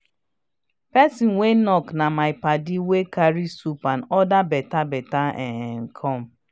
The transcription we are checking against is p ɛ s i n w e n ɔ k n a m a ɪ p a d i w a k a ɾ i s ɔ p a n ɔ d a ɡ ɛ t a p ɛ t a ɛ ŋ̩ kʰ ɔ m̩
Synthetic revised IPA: p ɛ s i n w e n ɔ k n a m a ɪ p a d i w e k a ɾ i s u p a n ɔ d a b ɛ t a b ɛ t a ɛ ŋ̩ kʰ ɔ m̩